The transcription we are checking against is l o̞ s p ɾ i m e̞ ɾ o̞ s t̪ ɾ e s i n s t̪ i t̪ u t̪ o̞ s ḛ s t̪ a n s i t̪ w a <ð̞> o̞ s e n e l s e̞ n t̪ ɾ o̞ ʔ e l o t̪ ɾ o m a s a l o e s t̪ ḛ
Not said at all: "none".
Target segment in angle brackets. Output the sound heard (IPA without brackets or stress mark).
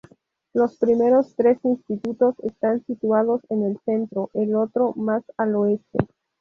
ð̞